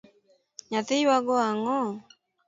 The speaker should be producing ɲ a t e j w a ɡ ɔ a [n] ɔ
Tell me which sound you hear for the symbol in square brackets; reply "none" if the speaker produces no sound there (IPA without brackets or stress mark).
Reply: ŋ